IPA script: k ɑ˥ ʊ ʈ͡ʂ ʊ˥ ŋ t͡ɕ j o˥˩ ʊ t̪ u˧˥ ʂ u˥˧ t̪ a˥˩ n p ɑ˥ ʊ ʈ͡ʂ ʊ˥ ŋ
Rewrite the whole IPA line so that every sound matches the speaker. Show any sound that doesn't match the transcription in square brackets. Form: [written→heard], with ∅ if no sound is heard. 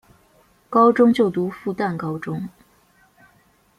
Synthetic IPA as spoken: k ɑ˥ ʊ ʈ͡ʂ ʊ˥ ŋ t͡ɕ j o˥˩ ʊ t̪ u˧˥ [ʂ→f] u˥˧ t̪ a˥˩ n [p→k] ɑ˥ ʊ ʈ͡ʂ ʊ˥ ŋ